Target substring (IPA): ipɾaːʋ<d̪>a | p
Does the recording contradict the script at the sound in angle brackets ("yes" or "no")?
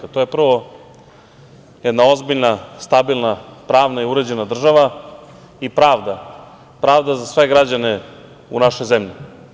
no